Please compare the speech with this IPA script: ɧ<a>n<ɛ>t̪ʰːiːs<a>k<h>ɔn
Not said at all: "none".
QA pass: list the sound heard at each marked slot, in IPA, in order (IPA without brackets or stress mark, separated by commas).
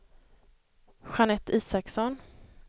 a, ɛ, a, s